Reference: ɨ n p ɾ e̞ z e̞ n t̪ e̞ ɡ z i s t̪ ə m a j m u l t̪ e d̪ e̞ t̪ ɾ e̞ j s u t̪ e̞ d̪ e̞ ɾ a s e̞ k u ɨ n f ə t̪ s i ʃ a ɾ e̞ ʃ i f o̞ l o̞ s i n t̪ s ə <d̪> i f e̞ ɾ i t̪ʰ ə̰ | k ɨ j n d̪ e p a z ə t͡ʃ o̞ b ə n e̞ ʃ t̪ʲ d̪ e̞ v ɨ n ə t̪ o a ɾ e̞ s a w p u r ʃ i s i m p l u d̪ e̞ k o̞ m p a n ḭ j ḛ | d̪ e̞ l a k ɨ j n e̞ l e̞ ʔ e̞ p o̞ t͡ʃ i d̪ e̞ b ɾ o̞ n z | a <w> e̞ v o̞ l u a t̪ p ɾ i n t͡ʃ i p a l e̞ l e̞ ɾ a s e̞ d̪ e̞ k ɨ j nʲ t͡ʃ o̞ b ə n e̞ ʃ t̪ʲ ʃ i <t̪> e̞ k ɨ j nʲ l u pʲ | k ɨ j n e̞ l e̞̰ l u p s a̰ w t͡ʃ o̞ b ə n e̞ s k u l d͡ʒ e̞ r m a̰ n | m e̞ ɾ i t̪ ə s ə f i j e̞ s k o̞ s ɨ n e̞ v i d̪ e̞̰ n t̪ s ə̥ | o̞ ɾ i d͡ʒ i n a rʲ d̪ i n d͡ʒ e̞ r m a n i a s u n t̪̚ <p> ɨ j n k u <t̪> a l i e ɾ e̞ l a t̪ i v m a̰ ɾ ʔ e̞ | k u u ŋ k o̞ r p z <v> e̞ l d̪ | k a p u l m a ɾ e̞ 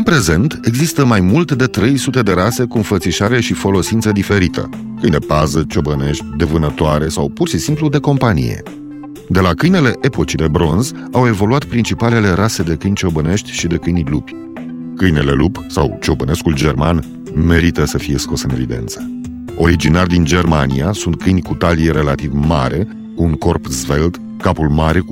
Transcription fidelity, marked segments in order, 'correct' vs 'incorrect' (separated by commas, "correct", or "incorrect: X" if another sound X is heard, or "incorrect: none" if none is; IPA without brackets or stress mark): correct, correct, incorrect: d̪, incorrect: k, correct, correct